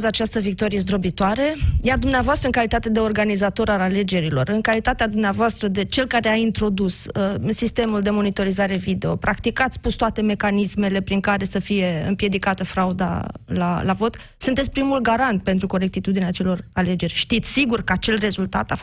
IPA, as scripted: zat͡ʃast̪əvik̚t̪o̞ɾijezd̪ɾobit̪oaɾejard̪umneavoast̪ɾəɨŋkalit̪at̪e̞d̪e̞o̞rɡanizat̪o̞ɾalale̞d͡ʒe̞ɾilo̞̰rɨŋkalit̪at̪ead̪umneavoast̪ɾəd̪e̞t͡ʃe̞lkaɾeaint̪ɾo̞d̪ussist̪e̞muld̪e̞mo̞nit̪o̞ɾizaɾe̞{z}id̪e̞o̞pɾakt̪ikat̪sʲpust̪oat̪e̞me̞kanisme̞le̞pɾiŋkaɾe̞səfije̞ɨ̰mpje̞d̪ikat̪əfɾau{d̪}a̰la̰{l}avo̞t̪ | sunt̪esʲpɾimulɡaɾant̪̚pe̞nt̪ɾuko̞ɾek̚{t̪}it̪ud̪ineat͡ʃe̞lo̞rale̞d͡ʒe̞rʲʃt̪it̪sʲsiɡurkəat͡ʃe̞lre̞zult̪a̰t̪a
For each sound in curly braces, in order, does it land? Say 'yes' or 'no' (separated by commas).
no, yes, yes, yes